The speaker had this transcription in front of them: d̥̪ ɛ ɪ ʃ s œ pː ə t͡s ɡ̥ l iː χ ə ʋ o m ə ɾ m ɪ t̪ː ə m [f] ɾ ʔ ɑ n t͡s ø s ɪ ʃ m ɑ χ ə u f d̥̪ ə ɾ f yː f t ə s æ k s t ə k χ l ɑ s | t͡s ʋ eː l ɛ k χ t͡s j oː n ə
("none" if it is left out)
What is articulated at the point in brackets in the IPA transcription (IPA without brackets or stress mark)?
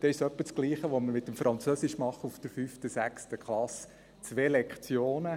f